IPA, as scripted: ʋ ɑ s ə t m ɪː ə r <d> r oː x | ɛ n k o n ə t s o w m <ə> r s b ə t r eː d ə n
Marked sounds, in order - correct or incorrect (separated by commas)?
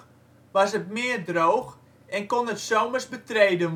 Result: correct, correct